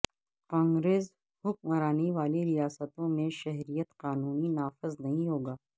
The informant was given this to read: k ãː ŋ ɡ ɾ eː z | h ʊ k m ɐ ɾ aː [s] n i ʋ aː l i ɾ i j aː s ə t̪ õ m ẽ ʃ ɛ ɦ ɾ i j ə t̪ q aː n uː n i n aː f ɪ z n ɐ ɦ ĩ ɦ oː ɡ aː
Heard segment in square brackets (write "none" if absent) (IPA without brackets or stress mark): none